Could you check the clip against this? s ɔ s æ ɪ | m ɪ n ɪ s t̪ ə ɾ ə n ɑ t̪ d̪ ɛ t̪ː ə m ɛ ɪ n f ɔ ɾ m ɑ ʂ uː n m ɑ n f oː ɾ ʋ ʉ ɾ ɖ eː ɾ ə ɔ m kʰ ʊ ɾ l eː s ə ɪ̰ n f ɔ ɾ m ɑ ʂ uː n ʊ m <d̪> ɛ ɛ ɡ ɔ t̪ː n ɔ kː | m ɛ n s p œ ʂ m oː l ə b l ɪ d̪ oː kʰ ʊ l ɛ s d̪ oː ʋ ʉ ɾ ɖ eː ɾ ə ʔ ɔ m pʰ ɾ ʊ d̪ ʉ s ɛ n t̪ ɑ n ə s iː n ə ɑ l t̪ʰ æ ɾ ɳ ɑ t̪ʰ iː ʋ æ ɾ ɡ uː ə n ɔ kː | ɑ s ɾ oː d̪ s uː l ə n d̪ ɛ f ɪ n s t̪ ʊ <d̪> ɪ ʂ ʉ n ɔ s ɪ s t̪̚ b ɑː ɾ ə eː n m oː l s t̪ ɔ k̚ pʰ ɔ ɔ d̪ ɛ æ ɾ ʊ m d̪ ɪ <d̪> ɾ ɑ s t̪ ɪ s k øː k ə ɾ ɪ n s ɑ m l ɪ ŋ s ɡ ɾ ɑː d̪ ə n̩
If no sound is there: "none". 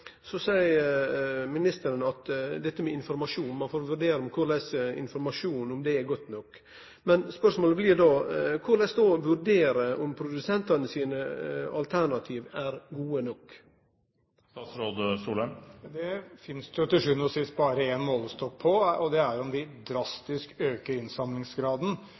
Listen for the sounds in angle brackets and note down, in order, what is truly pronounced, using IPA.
d̪, t̪, d̪

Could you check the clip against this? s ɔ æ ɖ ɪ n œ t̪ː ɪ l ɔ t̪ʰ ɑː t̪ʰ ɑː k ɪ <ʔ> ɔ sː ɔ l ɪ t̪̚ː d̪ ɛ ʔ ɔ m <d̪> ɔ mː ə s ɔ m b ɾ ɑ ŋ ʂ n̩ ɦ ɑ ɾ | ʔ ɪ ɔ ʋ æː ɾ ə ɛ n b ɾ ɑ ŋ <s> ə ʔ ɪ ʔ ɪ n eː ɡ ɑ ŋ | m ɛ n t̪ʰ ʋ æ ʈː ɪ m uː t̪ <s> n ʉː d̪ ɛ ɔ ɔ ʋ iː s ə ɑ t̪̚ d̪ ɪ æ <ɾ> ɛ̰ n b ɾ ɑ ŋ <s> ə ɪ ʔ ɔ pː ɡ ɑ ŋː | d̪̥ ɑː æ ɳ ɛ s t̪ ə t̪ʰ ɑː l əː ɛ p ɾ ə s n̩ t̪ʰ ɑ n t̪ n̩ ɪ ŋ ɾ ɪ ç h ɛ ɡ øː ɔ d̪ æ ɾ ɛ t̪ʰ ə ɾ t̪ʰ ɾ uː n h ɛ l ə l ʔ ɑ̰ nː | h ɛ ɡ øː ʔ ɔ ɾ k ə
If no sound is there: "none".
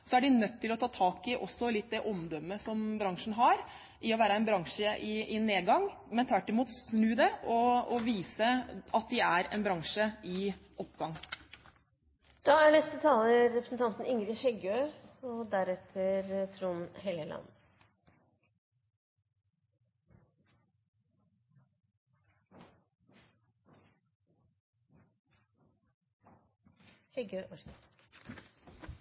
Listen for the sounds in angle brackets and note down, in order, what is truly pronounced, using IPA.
ʔ, d̪, ʂ, s, ɾ, ʂ

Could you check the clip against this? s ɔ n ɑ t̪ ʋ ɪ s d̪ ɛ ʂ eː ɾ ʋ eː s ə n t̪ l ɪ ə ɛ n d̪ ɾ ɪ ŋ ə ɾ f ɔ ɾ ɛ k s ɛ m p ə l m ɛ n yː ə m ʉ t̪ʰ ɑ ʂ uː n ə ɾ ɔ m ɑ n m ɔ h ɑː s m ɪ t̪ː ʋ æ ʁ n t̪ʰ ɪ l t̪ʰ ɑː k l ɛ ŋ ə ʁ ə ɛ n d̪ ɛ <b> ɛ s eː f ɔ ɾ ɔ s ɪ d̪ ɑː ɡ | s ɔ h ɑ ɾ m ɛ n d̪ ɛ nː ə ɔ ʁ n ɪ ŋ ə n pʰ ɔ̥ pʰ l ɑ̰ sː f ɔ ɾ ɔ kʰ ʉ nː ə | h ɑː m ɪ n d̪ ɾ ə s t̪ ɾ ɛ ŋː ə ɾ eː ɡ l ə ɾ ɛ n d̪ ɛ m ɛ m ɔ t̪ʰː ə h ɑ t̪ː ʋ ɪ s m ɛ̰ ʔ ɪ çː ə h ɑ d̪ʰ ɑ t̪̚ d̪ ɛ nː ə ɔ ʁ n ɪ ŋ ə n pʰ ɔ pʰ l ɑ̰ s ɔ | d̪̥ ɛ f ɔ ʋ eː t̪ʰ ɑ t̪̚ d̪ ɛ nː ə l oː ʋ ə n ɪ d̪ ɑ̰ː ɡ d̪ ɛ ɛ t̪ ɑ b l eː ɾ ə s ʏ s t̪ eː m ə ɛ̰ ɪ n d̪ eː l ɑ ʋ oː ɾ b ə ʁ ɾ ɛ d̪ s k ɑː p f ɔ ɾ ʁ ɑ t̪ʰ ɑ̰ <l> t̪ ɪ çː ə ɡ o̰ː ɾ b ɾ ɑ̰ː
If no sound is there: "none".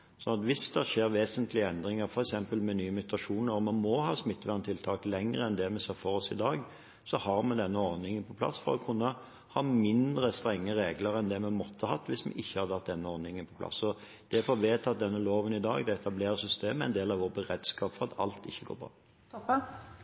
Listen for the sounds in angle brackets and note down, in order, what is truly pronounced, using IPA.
m, l

